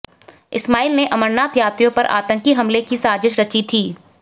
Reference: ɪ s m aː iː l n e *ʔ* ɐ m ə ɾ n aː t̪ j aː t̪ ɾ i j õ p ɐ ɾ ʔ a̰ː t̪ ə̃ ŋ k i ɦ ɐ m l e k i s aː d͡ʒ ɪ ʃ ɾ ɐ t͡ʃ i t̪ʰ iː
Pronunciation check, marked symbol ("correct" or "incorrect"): correct